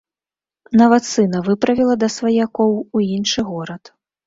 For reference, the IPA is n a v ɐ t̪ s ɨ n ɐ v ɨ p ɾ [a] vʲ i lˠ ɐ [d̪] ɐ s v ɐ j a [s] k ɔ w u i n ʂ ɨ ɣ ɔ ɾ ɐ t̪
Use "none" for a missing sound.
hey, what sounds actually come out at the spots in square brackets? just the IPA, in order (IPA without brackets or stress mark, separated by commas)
ɐ, d̪, none